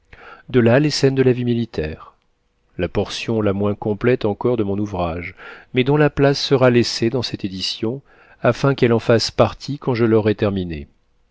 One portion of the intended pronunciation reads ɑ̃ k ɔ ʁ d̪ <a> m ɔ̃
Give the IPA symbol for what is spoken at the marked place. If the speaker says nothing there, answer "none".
ə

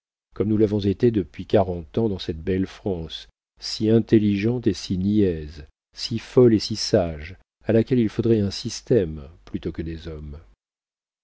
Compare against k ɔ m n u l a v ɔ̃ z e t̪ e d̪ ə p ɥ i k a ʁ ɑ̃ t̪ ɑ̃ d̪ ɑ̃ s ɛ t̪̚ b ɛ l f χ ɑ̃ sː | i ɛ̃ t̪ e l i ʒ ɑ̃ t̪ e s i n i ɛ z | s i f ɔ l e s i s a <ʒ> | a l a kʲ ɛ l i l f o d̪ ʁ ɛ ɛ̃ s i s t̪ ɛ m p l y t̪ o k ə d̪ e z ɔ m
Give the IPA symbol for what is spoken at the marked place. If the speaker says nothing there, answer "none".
ʒ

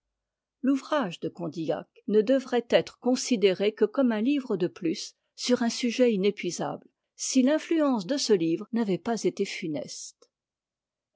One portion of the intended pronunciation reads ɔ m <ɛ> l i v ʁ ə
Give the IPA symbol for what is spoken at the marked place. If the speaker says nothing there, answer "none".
ɛ̃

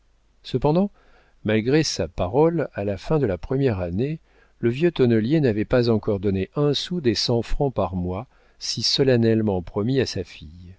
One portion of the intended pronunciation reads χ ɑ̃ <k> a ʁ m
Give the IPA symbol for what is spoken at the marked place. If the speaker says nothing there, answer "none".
p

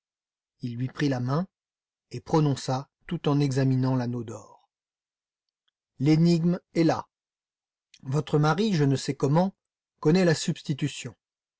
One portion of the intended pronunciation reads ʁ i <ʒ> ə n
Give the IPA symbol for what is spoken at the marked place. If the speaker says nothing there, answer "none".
ʒ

